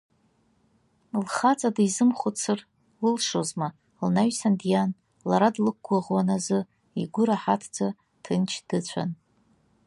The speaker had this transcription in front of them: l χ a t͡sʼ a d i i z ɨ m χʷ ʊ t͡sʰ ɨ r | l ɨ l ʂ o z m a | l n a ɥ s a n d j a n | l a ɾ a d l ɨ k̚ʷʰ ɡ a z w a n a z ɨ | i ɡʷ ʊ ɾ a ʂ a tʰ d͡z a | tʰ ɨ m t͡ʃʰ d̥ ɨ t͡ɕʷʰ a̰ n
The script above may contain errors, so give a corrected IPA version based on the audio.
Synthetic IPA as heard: l χ a t͡sʼ a d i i z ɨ m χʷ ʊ t͡sʰ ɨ r | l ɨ l ʂ o z m a | l n a ɥ s a n d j a n | l a ɾ a d l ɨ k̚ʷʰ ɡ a ʁ w a n a z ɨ | i ɡʷ ʊ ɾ a ħ a tʰ d͡z a | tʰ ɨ n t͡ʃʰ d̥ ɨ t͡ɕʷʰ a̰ n